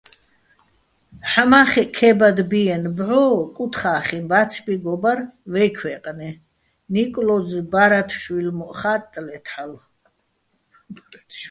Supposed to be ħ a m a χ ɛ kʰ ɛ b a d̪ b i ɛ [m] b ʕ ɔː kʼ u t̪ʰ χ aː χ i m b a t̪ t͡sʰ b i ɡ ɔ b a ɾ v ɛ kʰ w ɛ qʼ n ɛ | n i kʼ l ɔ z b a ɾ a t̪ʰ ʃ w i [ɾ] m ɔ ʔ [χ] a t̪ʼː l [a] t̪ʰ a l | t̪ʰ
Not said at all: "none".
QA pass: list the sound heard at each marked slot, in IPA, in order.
n, l, χ, ɛ

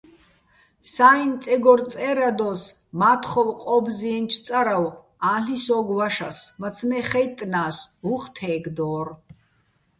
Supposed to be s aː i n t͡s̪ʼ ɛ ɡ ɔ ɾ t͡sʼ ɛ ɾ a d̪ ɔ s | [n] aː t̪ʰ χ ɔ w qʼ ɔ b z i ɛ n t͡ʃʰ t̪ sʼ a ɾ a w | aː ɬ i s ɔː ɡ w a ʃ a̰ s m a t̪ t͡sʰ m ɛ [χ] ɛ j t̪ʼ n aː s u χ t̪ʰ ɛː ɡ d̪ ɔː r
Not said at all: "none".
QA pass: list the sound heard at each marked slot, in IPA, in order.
m, χ

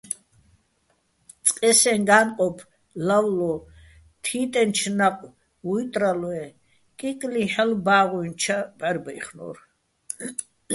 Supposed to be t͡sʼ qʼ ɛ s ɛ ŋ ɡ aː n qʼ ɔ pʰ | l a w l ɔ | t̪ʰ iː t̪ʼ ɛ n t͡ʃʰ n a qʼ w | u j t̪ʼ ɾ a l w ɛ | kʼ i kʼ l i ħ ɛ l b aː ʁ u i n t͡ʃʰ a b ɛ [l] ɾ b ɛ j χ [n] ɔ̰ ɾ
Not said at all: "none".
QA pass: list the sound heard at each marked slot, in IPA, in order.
none, n

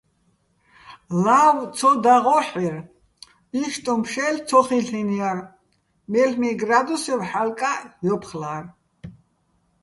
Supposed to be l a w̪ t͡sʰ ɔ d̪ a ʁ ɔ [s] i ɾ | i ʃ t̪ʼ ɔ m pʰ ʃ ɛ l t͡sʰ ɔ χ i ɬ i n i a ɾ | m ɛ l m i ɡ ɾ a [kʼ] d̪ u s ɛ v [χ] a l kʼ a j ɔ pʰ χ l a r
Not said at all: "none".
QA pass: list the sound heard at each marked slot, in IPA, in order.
ħ, none, ħ

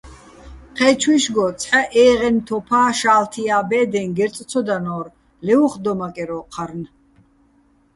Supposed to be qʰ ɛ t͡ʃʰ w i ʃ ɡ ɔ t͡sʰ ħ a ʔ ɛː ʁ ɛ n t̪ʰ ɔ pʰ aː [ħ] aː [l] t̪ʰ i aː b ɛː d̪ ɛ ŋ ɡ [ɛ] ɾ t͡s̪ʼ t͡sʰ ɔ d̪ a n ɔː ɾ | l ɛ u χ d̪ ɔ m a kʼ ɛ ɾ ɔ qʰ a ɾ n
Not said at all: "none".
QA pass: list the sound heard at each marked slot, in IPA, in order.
ʃ, l, ɛ

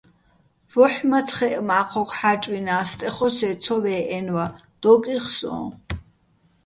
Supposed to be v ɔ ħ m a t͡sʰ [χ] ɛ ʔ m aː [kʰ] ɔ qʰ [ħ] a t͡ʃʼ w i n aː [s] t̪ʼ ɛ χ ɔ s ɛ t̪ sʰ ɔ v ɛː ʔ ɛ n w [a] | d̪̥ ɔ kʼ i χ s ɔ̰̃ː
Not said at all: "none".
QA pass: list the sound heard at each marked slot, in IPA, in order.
χ, qʰ, ħ, s, a

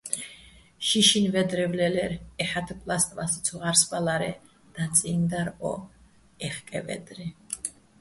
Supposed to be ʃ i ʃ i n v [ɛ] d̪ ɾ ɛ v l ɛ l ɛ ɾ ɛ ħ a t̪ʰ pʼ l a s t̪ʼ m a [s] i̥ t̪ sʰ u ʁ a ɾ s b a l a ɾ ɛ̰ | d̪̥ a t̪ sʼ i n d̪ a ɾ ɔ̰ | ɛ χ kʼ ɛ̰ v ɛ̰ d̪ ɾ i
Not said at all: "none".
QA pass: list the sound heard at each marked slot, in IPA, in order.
ɛ, s

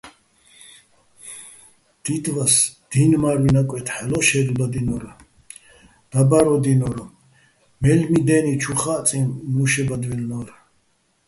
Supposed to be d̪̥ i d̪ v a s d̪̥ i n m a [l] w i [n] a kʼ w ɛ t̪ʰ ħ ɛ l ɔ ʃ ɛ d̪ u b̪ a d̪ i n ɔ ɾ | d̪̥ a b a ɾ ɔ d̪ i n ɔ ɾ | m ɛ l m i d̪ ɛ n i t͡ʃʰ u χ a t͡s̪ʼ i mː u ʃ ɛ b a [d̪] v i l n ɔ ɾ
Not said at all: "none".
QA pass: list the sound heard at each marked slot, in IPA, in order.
ɾ, n, d̪

